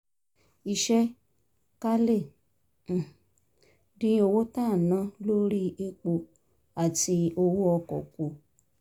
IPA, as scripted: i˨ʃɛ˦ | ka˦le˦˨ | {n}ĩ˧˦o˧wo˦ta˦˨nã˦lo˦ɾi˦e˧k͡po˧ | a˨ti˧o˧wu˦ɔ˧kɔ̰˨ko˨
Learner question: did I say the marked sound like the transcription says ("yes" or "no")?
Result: no